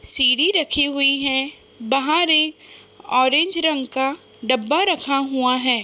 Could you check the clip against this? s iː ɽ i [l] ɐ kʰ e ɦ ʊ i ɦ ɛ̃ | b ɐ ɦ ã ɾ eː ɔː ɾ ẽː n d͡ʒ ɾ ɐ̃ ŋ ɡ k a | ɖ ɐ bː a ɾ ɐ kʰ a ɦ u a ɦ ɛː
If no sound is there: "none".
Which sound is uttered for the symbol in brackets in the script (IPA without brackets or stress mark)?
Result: ɾ